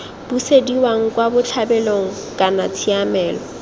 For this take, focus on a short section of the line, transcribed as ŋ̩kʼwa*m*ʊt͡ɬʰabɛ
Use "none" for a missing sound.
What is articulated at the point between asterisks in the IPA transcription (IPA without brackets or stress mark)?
b